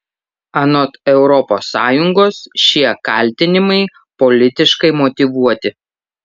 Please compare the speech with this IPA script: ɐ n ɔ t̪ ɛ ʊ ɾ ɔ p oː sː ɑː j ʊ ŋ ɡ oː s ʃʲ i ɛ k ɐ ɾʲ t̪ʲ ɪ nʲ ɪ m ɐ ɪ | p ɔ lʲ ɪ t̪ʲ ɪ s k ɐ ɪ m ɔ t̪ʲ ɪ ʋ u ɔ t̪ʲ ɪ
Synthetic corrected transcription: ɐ n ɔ t̪ ɛ ʊ ɾ ɔ p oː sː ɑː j ʊ ŋ ɡ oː s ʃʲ i ɛ k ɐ lʲ t̪ʲ ɪ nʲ ɪ m ɐ ɪ | p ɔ lʲ ɪ t̪ʲ ɪ ʃ k ɐ ɪ m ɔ t̪ʲ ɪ ʋ u ɔ t̪ʲ ɪ